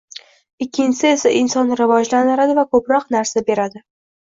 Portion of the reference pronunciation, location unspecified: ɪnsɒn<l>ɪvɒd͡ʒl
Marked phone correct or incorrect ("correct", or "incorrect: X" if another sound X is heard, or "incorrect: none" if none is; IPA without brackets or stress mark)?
incorrect: ɾ